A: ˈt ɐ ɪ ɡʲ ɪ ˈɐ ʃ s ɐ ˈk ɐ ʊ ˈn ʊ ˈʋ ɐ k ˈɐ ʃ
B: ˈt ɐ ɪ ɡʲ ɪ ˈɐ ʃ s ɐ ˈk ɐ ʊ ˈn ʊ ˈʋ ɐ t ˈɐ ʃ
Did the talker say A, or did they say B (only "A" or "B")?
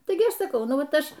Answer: B